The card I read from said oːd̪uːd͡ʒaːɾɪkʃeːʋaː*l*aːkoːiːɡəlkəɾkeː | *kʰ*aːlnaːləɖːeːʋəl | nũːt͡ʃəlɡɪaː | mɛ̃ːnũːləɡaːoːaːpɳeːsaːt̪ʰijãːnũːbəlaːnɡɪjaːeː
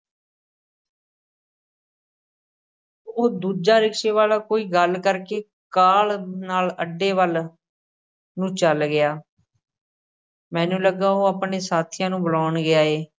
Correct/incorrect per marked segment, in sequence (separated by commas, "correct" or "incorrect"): correct, incorrect